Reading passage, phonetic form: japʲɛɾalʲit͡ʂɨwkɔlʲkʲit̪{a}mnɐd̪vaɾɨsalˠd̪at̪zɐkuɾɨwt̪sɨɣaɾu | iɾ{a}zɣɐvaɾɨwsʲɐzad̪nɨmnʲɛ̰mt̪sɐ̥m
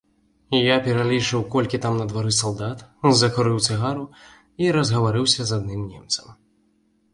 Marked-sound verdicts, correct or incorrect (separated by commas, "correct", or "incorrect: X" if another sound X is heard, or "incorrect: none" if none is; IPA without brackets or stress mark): correct, incorrect: ɐ